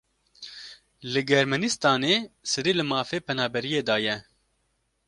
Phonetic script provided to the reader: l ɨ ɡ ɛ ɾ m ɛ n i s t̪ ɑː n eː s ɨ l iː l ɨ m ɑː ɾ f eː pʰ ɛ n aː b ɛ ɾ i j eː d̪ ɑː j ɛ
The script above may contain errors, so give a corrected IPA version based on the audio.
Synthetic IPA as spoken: l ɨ ɡ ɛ ɾ m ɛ n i s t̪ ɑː n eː s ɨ ɾ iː l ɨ m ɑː f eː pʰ ɛ n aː b ɛ ɾ i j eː d̪ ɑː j ɛ